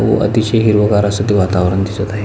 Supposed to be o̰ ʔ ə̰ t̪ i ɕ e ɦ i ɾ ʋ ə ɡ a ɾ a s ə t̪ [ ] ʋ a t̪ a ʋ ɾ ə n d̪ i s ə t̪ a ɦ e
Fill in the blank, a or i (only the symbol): i